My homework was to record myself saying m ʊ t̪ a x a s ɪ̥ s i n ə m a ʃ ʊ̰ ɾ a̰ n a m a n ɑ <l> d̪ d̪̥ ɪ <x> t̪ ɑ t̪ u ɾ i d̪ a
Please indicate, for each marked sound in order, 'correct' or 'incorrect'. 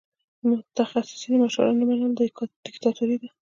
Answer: correct, incorrect: k

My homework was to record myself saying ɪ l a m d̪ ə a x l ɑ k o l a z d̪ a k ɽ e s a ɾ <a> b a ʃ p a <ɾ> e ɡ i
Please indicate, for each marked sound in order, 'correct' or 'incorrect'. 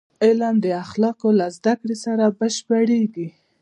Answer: correct, incorrect: ɽ

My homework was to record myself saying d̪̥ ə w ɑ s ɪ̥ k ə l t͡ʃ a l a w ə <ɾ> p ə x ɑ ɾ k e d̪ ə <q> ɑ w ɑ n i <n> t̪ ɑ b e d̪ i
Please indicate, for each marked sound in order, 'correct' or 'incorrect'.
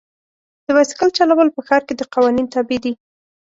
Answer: incorrect: l, correct, correct

